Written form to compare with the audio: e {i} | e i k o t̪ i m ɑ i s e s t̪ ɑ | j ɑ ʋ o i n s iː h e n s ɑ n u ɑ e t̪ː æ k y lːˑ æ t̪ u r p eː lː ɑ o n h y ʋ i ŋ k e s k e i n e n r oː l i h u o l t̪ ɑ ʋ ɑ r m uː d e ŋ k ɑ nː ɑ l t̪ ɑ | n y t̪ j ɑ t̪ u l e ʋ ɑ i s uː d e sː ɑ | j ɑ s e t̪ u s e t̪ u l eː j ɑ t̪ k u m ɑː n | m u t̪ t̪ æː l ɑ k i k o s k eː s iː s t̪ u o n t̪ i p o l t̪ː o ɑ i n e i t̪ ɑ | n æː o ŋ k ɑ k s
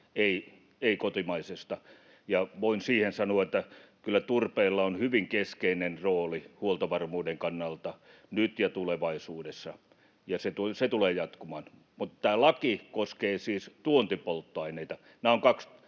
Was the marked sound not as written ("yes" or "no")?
no